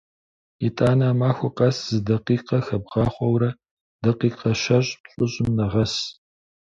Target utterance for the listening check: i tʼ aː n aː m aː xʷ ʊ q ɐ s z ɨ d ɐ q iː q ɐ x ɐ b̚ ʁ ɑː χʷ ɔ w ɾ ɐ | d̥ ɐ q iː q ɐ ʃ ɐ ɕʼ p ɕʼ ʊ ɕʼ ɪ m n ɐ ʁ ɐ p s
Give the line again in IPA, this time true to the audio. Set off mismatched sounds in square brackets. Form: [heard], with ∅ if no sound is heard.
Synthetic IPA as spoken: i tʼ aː n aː m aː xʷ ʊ q ɐ s z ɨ d ɐ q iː q ɐ x ɐ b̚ ʁ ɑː χʷ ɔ w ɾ ɐ | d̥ ɐ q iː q ɐ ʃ ɐ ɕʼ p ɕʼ ʊ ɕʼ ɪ m n ɐ ʁ ɐ [∅] s